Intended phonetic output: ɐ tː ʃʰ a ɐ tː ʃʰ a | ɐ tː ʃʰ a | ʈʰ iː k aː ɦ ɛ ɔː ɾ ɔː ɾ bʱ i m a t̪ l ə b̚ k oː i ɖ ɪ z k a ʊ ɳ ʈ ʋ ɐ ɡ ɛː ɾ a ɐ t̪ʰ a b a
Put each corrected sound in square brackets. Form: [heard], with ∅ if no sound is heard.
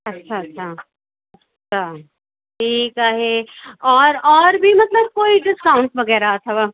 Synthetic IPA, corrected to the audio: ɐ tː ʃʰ a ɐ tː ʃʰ a | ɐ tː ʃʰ a | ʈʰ iː k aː ɦ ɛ ɔː ɾ ɔː ɾ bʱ i m [ɐ] t̪ l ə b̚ k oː i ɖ ɪ [s] k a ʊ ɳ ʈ ʋ ɐ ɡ ɛː ɾ a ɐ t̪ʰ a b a